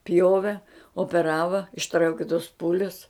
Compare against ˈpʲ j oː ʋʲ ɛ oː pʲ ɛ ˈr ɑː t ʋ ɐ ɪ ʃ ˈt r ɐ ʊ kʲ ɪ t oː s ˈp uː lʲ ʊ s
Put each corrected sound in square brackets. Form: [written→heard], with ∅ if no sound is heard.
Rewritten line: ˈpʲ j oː ʋʲ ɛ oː pʲ ɛ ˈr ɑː [t→∅] ʋ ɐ ɪ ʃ ˈt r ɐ ʊ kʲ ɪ t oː s ˈp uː lʲ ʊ s